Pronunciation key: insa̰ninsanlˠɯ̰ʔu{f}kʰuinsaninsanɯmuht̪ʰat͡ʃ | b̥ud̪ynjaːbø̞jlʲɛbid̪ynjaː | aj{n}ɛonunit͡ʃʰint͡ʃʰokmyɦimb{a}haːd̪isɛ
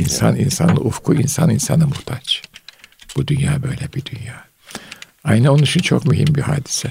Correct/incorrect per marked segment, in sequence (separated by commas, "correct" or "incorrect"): correct, correct, incorrect